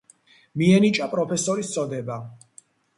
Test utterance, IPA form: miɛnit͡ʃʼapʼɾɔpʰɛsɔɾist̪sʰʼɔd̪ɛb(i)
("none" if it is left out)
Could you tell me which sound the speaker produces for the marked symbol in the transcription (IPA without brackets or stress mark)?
a